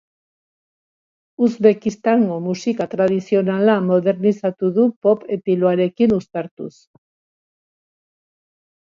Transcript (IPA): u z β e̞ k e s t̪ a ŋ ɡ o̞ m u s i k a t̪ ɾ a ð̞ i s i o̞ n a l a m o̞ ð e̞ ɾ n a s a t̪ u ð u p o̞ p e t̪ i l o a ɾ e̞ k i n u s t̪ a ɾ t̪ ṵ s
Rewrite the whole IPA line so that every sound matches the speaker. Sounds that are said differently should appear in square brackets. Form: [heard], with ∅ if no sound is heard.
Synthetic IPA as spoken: u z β e̞ k [i] s t̪ a ŋ ɡ o̞ m u s i k a t̪ ɾ a ð̞ i s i o̞ n a l a m o̞ ð e̞ ɾ n [i] s a t̪ u ð u p o̞ p e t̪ i l o a ɾ e̞ k i n u s t̪ a ɾ t̪ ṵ s

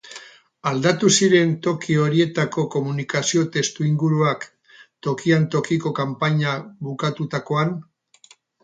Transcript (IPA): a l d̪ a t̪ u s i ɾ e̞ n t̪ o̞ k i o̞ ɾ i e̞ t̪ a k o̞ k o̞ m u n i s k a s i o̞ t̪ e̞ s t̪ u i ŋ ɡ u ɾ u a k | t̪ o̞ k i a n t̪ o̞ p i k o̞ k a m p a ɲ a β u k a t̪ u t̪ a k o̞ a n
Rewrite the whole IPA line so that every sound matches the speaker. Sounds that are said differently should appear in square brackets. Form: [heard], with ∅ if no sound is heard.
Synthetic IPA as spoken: a l d̪ a t̪ u s i ɾ e̞ n t̪ o̞ k i o̞ ɾ i e̞ t̪ a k o̞ k o̞ m u n i [∅] k a s i o̞ t̪ e̞ s t̪ u i ŋ ɡ u ɾ u a k | t̪ o̞ k i a n t̪ o̞ [k] i k o̞ k a m p a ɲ a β u k a t̪ u t̪ a k o̞ a n

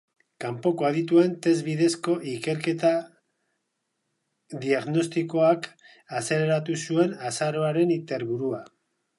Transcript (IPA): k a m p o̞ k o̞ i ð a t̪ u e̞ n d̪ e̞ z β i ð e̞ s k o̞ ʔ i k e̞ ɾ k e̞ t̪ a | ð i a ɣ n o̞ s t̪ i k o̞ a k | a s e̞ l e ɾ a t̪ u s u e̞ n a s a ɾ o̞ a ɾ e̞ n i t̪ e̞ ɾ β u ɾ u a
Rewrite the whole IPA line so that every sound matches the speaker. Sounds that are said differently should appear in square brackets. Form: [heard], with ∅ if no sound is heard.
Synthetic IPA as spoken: k a m p o̞ k o̞ [a] ð [i] t̪ u e̞ n [t̪] e̞ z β i ð e̞ s k o̞ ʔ i k e̞ ɾ k e̞ t̪ a | ð i a ɣ n o̞ s t̪ i k o̞ a k | a s e̞ l e ɾ a t̪ u s u e̞ n a s a ɾ o̞ a ɾ e̞ n i t̪ e̞ ɾ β u ɾ u a

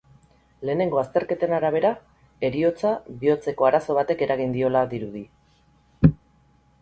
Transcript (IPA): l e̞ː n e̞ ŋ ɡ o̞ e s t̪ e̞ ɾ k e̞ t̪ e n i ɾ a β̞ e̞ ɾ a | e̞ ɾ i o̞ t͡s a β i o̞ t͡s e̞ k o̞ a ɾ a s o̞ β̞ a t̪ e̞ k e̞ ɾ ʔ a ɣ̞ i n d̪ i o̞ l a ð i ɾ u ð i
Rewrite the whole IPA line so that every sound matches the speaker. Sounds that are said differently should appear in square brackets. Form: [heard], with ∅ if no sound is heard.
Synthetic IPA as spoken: l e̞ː n e̞ ŋ ɡ o̞ [a] s t̪ e̞ ɾ k e̞ t̪ e n [a] ɾ a β̞ e̞ ɾ a | e̞ ɾ i o̞ t͡s a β i o̞ t͡s e̞ k o̞ a ɾ a s o̞ β̞ a t̪ e̞ k e̞ ɾ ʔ a ɣ̞ i n d̪ i o̞ l a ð i ɾ u ð i

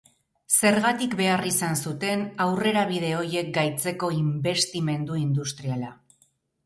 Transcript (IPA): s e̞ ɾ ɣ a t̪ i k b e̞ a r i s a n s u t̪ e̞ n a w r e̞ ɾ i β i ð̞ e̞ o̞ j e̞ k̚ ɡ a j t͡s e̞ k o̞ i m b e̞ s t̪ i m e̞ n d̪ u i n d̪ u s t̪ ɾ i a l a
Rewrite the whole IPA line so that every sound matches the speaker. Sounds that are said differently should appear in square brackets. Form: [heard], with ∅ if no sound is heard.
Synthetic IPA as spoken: s e̞ ɾ ɣ a t̪ i k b e̞ a r i s a n s u t̪ e̞ n a w r e̞ ɾ [a] β i ð̞ e̞ o̞ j e̞ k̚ ɡ a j t͡s e̞ k o̞ i m b e̞ s t̪ i m e̞ n d̪ u i n d̪ u s t̪ ɾ i a l a

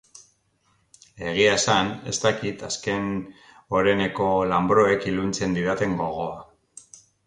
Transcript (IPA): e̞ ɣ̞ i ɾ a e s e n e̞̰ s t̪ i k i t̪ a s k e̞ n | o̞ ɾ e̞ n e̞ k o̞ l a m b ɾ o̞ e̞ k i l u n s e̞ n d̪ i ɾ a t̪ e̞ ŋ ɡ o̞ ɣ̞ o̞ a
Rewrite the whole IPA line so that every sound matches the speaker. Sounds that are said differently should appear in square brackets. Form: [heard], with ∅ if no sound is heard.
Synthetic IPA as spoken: e̞ ɣ̞ i [∅] a e s [a] n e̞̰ s t̪ [a] k i t̪ a s k e̞ n | o̞ ɾ e̞ n e̞ k o̞ l a m b ɾ o̞ e̞ k i l u n [t͡s] e̞ n d̪ i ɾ a t̪ e̞ ŋ ɡ o̞ ɣ̞ o̞ a

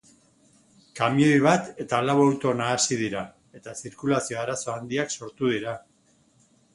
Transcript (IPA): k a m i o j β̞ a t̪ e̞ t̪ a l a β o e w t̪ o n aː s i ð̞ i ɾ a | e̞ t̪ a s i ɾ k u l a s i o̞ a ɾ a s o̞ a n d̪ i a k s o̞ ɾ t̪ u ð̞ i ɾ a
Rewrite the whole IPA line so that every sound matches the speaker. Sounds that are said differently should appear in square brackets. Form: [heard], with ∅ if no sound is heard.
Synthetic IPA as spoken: k a m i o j β̞ a t̪ e̞ t̪ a l a β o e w t̪ o n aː s i ð̞ i ɾ a | e̞ t̪ a s i ɾ k u l a s i o̞ a ɾ a s o̞ a n d̪ i a k s o̞ ɾ t̪ u ð̞ i ɾ a

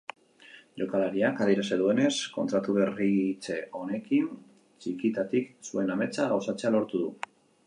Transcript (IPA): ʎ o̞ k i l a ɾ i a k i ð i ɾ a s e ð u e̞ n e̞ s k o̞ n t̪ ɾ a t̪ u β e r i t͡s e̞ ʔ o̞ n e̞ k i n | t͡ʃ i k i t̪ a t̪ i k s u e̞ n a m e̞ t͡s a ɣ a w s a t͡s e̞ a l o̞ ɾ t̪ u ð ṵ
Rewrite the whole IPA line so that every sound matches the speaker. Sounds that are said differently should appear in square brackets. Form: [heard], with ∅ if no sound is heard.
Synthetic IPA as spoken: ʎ o̞ k [a] l a ɾ i a k [a] ð i ɾ a s e ð u e̞ n e̞ s k o̞ n t̪ ɾ a t̪ u β e r i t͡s e̞ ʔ o̞ n e̞ k i n | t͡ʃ i k i t̪ a t̪ i k s u e̞ n a m e̞ t͡s a ɣ a w s a t͡s e̞ a l o̞ ɾ t̪ u ð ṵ

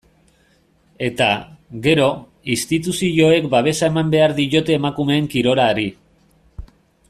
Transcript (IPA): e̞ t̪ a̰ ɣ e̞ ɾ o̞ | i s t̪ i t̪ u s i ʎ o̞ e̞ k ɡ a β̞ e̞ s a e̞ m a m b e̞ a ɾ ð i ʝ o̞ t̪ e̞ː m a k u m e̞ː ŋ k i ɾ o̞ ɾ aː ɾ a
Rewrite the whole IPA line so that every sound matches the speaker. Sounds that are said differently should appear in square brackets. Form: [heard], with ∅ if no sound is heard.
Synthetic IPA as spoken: e̞ t̪ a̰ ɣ e̞ ɾ o̞ | i s t̪ i t̪ u s i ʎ o̞ e̞ k [b] a β̞ e̞ s a e̞ m a m b e̞ a ɾ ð i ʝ o̞ t̪ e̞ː m a k u m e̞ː ŋ k i ɾ o̞ ɾ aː ɾ [i]

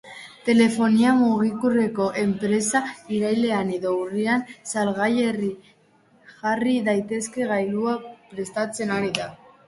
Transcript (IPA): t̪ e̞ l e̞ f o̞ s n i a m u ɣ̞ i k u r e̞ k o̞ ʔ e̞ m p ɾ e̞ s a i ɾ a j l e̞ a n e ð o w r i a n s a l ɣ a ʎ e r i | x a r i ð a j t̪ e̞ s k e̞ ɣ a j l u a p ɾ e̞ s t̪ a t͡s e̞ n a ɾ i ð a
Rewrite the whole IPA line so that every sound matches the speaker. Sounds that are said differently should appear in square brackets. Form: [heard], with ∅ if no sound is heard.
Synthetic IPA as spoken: t̪ e̞ l e̞ f o̞ [∅] n i a m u ɣ̞ i k u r e̞ k o̞ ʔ e̞ m p ɾ e̞ s a i ɾ a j l e̞ a n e ð o w r i a n s a l ɣ a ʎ e r i | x a r i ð a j t̪ e̞ s k e̞ ɣ a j l u a p ɾ e̞ s t̪ a t͡s e̞ n a ɾ i ð a

